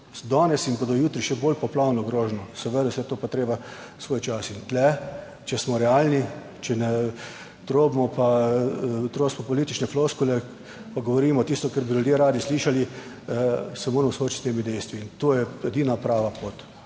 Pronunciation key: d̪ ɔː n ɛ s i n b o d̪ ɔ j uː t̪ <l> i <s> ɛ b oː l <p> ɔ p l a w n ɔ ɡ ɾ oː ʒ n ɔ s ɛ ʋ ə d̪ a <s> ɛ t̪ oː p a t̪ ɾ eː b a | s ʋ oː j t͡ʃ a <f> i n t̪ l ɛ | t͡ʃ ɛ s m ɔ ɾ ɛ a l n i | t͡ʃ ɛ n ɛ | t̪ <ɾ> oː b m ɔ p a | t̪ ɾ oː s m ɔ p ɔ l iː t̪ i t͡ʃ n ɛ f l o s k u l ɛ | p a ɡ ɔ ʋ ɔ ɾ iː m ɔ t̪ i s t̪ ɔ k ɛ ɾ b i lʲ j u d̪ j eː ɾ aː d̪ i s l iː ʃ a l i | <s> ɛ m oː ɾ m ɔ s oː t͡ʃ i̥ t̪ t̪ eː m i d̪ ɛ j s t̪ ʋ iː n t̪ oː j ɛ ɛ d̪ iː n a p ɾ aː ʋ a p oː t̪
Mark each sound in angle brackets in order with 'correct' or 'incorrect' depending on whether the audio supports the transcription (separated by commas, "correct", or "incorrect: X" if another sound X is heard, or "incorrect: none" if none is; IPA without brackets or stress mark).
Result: incorrect: ɾ, incorrect: ʃ, correct, correct, incorrect: s, correct, correct